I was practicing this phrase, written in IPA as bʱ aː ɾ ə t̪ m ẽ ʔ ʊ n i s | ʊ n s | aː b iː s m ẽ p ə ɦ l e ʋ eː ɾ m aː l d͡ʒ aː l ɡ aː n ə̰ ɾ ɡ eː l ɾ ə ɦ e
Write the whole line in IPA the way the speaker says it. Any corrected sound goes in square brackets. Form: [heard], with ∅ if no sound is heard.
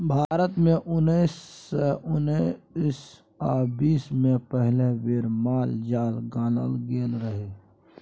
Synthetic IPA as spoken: bʱ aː ɾ ə t̪ m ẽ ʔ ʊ n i s | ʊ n s | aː b iː s m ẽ p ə ɦ l e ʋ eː ɾ m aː l d͡ʒ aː l ɡ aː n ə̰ [l] ɡ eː l ɾ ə ɦ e